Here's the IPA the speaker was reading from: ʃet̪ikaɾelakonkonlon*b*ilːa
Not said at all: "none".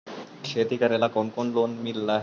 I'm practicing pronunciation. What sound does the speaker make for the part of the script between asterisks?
m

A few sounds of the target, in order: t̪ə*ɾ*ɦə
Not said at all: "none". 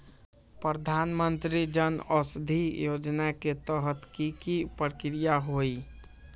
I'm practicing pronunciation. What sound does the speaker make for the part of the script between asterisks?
none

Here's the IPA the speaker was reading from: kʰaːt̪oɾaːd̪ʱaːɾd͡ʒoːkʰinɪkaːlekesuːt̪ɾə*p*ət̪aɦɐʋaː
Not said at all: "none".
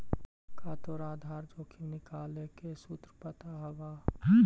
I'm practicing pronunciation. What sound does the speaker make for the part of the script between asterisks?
p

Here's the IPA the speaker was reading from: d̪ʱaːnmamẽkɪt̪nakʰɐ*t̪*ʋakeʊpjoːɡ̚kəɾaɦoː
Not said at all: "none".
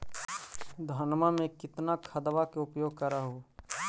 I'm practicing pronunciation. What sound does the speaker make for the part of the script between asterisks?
d̪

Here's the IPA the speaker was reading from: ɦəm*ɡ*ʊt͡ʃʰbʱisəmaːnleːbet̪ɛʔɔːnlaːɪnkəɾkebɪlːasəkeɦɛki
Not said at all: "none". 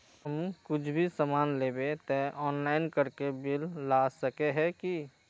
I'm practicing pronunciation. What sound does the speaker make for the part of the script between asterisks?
k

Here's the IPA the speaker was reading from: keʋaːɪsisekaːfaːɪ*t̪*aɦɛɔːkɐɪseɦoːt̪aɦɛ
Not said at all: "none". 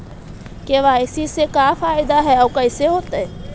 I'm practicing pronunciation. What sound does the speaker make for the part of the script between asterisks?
d̪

